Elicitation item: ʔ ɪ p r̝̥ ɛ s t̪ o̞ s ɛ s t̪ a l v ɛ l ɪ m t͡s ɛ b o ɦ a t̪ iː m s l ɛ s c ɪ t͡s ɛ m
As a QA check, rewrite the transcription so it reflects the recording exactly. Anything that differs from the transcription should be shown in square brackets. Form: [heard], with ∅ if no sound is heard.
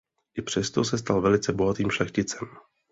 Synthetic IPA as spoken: ʔ ɪ p r̝̥ ɛ s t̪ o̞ s ɛ s t̪ a l v ɛ l ɪ [∅] t͡s ɛ b o ɦ a t̪ iː m [ʃ] l ɛ [x] c ɪ t͡s ɛ m